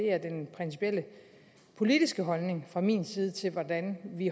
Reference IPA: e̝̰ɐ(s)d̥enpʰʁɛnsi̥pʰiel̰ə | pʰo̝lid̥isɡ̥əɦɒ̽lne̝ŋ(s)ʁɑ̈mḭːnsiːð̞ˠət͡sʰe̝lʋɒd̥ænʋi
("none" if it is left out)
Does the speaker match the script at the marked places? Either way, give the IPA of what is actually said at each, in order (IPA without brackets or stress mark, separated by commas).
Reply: none, f